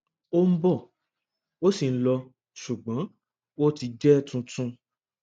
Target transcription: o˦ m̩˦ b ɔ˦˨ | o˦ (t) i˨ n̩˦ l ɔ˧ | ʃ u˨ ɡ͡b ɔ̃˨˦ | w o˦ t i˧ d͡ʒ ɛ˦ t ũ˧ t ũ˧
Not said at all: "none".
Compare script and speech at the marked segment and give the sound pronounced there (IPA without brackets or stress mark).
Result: s